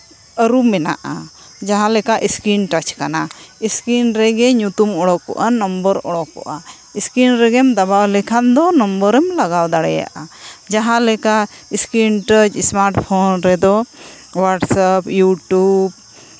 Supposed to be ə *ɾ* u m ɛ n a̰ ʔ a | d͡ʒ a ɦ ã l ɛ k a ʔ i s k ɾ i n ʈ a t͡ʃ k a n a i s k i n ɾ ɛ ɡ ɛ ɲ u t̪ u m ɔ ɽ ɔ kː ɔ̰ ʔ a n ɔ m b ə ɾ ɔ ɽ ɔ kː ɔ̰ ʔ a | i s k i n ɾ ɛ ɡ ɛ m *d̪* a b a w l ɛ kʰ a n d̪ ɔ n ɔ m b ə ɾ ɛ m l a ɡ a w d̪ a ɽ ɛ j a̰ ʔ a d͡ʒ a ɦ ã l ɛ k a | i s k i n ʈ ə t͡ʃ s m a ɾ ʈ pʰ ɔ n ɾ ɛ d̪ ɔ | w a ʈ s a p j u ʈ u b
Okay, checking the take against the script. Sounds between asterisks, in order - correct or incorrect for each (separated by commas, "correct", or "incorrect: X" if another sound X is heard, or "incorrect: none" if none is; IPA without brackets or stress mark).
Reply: correct, correct